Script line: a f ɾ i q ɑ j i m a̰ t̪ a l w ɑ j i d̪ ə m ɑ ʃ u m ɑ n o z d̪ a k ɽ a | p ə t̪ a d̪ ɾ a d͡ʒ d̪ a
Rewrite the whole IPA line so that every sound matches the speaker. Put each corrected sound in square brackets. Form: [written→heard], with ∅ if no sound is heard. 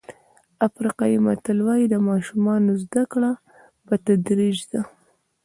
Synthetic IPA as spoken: a f ɾ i q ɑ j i m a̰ t̪ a l w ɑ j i d̪ ə m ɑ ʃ u m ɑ n o z d̪ a k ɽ a | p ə t̪ a d̪ ɾ [a→i] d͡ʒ d̪ a